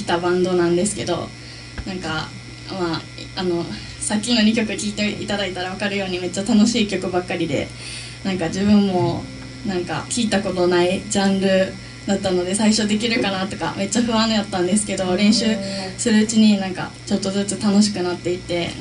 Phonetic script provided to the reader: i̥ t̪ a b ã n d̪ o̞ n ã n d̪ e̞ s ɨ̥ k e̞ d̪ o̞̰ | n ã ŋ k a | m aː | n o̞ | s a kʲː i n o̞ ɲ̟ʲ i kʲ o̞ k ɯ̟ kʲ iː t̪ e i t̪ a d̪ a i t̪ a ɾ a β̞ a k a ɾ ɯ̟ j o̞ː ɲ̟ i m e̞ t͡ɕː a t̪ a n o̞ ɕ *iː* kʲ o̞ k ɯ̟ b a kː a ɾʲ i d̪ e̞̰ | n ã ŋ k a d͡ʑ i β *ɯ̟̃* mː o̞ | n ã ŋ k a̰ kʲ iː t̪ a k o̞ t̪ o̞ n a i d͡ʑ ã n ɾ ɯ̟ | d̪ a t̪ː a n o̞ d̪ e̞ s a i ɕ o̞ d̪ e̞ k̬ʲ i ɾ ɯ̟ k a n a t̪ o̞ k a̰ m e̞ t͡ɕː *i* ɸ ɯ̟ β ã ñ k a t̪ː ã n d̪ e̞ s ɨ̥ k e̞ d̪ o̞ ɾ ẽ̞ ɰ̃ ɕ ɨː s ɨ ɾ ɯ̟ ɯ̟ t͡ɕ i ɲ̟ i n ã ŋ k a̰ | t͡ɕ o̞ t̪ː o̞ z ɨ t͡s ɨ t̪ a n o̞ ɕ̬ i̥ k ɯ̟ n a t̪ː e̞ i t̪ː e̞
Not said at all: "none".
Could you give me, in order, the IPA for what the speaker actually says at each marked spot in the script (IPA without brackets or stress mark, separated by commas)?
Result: iː, ɯ̟̃, a